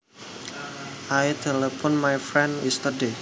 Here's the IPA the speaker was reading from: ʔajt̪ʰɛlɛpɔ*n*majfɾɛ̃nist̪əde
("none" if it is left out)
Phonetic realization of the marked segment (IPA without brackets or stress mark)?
n